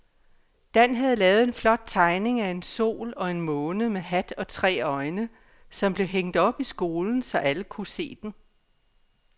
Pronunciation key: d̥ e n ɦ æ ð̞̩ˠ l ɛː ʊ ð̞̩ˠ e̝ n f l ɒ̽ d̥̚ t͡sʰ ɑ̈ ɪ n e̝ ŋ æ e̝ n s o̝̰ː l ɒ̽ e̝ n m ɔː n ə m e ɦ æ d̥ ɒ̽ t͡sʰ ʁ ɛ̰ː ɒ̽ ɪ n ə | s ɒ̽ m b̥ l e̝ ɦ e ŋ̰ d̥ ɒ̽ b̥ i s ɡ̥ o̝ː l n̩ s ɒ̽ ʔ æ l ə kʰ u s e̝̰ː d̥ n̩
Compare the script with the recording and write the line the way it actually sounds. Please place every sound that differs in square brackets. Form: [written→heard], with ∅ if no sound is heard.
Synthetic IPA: d̥ [e→æ] n ɦ æ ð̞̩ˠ l ɛː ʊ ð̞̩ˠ e̝ n f l ɒ̽ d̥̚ t͡sʰ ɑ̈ ɪ n e̝ ŋ æ e̝ n s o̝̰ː l ɒ̽ e̝ n m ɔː n ə m e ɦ æ d̥ ɒ̽ t͡sʰ ʁ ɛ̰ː ɒ̽ ɪ n ə | s ɒ̽ m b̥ l e̝ ɦ e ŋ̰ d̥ ɒ̽ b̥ i s ɡ̥ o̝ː l n̩ s ɒ̽ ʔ æ l ə kʰ u s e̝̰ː d̥ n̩

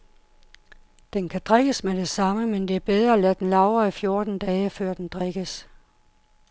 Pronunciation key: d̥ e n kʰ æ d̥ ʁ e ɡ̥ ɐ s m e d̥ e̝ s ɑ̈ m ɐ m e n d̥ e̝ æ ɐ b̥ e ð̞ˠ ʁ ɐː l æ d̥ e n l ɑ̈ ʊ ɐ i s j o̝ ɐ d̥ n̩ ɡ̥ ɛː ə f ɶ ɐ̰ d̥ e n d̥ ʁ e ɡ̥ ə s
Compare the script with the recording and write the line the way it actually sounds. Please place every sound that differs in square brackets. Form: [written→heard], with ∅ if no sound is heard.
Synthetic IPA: d̥ e n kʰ æ d̥ ʁ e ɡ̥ [ɐ→ə] s m e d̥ e̝ s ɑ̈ m [ɐ→ə] m e n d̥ e̝ æ ɐ b̥ e ð̞ˠ ʁ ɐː l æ d̥ e n l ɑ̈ ʊ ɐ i [s→f] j o̝ ɐ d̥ n̩ [ɡ̥→d̥] ɛː ə f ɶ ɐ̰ d̥ e n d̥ ʁ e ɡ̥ ə s

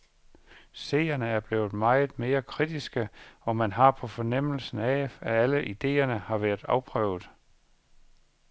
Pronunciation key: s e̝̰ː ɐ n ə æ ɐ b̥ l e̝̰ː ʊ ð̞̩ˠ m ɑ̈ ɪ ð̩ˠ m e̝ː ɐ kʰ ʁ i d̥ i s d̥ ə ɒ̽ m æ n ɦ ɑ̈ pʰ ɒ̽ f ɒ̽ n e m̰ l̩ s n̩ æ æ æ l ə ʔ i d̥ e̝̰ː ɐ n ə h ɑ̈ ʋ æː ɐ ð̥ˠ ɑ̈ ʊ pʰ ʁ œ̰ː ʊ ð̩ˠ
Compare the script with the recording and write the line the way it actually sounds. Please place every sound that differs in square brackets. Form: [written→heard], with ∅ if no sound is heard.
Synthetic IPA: s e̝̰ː ɐ n ə æ ɐ b̥ l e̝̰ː ʊ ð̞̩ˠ m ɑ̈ ɪ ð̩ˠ m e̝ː ɐ kʰ ʁ i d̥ i s [d̥→ɡ̥] ə ɒ̽ m æ n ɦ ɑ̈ pʰ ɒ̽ f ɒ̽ n e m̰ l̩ s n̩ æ æ æ l ə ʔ i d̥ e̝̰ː ɐ n ə h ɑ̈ ʋ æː ɐ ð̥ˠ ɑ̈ ʊ pʰ ʁ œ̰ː ʊ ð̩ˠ

